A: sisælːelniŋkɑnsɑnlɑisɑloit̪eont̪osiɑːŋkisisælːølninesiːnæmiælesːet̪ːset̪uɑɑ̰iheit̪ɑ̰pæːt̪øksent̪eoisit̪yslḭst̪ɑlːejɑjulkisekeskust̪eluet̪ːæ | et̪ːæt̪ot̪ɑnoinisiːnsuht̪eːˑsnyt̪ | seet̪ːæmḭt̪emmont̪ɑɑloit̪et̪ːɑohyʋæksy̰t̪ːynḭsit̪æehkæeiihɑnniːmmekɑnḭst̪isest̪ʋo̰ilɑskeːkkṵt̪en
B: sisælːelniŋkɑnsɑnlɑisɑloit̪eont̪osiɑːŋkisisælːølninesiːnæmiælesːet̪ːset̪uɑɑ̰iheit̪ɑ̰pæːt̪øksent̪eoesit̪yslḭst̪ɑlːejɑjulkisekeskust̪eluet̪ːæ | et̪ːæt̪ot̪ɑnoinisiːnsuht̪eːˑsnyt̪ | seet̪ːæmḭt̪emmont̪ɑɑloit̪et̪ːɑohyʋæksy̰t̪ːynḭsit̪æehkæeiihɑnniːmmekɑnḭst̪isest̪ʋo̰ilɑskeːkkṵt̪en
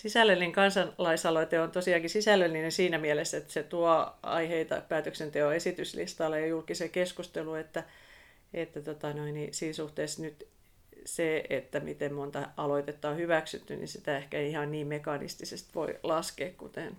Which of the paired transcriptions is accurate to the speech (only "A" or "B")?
B